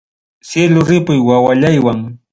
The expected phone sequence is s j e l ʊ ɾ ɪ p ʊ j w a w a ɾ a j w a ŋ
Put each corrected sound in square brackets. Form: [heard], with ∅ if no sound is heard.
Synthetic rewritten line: s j e l ʊ ɾ ɪ p ʊ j w a w a [ʎ] a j w a ŋ